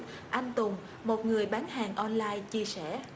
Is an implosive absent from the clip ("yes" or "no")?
no